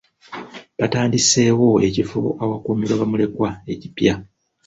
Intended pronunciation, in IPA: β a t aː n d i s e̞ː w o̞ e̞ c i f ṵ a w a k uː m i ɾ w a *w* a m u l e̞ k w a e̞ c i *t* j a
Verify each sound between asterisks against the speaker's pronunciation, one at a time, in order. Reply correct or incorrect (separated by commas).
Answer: incorrect, incorrect